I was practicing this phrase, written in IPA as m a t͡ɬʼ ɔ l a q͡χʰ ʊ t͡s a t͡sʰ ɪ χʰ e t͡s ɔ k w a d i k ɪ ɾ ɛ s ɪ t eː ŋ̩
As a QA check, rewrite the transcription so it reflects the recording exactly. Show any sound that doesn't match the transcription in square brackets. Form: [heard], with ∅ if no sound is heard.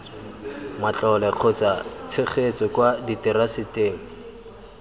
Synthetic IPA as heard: m a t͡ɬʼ ɔ l [ɛ] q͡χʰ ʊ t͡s a t͡sʰ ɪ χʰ e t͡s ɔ k w a d i [t] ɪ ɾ [a] s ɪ t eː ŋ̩